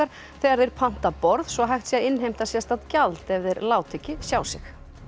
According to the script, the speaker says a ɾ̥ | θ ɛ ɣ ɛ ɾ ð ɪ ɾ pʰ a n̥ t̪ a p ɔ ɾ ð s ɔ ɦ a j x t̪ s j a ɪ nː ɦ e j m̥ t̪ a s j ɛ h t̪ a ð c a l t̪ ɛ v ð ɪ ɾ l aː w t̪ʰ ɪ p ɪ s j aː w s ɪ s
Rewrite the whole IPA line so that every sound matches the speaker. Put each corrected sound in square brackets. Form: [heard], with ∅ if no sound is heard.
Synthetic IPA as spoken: a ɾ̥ | θ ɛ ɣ [a] ɾ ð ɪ ɾ pʰ a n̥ t̪ a p ɔ ɾ ð s ɔ ɦ a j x t̪ s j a ɪ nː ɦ e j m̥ t̪ a s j ɛ [s] t̪ a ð c a l t̪ ɛ v ð ɪ ɾ l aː w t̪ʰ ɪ [c] ɪ s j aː w s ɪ [x]